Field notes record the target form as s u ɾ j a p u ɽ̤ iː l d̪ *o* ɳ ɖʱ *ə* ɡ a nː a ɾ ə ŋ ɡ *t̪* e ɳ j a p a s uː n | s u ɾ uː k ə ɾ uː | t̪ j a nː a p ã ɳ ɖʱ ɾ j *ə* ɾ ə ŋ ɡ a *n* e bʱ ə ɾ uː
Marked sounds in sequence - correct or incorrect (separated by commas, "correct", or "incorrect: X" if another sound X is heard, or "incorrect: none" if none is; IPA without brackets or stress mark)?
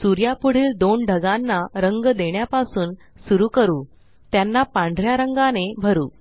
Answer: correct, correct, incorrect: d̪, incorrect: a, correct